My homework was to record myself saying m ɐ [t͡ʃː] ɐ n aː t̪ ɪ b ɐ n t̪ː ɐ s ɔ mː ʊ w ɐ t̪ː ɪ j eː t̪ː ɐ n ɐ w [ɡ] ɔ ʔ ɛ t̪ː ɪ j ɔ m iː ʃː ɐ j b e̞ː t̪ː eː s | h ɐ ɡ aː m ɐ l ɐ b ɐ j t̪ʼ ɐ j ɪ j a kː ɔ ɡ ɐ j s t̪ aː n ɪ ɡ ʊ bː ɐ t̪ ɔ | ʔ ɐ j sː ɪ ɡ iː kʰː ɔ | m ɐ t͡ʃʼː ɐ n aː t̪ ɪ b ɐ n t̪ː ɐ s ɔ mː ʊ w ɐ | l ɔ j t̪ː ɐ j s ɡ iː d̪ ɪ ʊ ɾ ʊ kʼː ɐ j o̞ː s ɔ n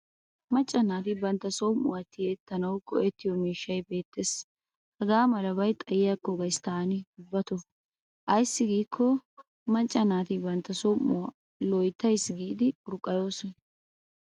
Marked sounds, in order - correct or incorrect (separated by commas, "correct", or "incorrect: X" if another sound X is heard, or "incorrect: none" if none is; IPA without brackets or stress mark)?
incorrect: t͡ʃʼː, incorrect: k